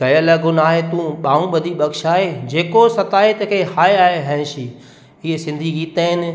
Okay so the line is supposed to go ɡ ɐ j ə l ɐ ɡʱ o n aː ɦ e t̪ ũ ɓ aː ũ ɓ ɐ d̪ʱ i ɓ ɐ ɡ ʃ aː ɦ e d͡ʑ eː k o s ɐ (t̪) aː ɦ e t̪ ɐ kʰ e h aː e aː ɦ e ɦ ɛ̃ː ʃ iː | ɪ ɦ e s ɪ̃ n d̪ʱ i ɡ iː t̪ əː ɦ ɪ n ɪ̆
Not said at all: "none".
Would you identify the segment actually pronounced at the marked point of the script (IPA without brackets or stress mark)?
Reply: t̪